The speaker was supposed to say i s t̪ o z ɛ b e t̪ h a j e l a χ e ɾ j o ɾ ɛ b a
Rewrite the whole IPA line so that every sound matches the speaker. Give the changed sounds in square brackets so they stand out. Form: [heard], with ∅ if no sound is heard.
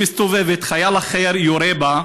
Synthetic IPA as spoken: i s t̪ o [v] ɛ [v] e t̪ [χ] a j [a] l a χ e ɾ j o ɾ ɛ b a